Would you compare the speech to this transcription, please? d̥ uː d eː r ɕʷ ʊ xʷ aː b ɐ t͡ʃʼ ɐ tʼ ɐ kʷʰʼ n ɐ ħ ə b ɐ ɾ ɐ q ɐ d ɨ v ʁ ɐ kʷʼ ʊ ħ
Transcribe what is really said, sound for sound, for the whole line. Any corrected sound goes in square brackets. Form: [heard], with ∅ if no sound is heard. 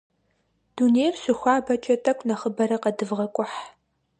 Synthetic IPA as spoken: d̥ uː [n] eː r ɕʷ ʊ xʷ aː b ɐ t͡ʃʼ ɐ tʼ ɐ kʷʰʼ n ɐ [χ] ə b ɐ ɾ ɐ q ɐ d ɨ v ʁ ɐ kʷʼ ʊ ħ